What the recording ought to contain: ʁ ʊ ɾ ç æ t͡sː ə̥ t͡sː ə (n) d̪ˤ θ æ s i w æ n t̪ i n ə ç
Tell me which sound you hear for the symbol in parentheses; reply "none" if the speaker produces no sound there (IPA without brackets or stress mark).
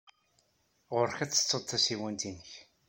none